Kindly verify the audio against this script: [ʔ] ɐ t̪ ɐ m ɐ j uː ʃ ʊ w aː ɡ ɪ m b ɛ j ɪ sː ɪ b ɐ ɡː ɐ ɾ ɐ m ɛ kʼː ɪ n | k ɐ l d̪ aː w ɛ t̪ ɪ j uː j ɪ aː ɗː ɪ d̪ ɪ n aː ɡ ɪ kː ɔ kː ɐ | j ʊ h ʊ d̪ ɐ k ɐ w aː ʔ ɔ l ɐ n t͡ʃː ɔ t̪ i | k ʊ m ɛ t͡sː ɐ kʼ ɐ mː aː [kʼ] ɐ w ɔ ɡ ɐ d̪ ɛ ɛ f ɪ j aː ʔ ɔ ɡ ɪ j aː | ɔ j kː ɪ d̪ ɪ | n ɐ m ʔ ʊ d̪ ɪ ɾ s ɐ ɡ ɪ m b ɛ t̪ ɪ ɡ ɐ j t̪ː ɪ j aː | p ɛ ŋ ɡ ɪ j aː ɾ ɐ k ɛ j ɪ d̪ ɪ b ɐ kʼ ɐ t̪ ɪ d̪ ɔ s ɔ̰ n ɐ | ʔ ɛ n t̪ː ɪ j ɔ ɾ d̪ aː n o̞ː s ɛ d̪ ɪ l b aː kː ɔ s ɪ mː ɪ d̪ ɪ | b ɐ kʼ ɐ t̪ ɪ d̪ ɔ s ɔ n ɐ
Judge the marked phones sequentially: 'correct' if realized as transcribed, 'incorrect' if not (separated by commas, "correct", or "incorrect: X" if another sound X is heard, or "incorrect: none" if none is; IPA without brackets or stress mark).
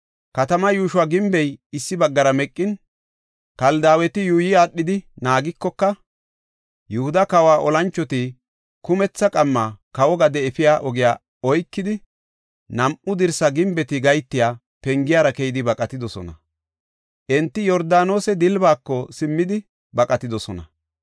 incorrect: k, incorrect: k